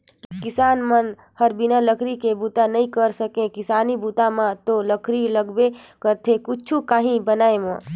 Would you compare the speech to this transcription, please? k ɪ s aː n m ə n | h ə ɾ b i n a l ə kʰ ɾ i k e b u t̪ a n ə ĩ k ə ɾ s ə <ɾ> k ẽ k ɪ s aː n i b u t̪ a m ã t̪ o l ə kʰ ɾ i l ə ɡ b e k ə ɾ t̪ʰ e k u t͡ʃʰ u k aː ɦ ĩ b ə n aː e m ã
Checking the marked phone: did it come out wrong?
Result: yes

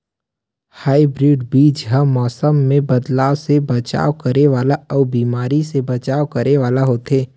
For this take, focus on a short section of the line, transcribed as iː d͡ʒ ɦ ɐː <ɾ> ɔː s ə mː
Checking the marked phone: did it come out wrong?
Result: yes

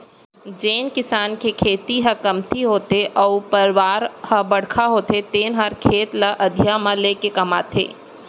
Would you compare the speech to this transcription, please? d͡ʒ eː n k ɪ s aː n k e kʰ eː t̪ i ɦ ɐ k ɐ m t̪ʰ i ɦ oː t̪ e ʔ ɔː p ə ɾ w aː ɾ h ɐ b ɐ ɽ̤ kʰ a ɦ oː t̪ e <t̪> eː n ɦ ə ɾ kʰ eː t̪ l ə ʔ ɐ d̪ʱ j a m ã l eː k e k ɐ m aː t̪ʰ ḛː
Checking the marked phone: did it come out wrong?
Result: no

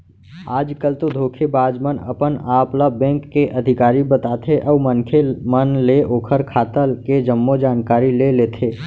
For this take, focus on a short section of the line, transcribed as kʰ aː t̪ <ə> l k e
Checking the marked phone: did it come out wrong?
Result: no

